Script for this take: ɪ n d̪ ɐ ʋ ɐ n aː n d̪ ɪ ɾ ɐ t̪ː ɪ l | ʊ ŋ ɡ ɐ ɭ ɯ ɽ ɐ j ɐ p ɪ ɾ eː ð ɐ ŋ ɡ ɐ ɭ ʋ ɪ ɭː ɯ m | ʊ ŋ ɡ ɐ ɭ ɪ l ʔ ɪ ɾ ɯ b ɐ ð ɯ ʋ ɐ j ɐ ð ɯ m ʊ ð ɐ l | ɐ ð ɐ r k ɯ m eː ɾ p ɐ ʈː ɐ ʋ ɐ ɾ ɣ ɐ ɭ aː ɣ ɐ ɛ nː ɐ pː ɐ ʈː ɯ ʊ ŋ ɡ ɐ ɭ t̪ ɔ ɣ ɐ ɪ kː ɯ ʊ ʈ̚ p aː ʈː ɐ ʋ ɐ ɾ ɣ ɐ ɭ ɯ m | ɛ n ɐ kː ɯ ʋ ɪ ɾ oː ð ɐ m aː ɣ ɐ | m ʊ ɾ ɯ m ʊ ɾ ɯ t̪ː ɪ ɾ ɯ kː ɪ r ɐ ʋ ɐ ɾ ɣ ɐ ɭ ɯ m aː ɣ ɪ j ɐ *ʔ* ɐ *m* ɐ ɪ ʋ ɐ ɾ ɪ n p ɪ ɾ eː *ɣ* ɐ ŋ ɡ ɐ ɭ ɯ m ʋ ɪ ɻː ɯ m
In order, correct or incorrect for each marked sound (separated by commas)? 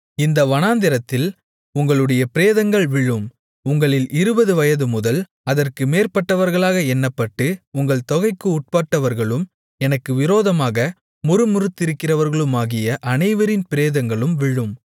correct, incorrect, incorrect